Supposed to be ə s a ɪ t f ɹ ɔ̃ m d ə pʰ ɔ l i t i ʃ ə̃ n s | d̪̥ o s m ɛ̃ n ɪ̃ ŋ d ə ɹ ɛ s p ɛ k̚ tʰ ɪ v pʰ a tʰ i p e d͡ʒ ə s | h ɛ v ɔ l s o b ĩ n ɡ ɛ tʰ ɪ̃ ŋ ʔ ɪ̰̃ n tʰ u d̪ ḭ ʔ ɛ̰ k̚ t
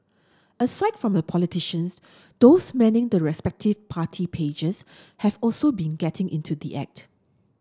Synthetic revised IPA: ə s a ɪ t f ɹ ɔ̃ m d ə pʰ ɔ l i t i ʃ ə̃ n s | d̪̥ o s m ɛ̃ n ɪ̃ ŋ d ə ɹ ɛ s p ɛ k̚ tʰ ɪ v pʰ a tʰ i pʰ e d͡ʒ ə s | h ɛ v ɔ l s o b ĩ n ɡ ɛ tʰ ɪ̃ ŋ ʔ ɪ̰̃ n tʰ u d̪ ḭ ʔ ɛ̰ k̚ t